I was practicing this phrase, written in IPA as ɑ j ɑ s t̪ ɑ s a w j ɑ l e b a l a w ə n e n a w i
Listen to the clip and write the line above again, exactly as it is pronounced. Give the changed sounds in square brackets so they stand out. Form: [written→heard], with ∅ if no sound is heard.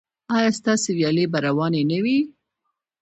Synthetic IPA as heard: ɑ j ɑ s t̪ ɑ s [a→e] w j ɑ l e b a [l→ɾ] a w [ə→ɑ] n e n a w i